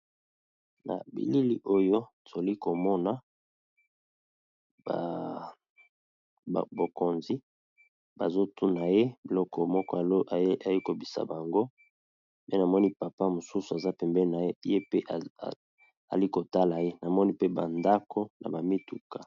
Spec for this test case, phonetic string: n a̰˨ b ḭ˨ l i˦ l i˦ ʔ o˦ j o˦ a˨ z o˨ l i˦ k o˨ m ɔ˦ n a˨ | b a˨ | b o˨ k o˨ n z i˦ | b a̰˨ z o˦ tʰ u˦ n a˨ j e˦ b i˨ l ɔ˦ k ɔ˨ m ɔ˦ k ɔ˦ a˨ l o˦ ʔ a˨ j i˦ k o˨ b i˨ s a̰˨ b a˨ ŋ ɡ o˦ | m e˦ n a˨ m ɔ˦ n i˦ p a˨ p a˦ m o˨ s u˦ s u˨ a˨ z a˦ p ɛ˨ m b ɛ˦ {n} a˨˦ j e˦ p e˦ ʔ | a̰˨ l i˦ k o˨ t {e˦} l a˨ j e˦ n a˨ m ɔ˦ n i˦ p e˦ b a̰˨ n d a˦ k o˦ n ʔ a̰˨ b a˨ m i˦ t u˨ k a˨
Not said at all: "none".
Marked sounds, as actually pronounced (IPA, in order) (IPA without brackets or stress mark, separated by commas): n, a˦